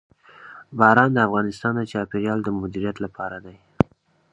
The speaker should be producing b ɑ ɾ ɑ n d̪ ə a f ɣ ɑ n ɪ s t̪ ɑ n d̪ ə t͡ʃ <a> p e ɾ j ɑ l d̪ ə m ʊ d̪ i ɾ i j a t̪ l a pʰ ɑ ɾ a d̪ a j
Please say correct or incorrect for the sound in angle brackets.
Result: incorrect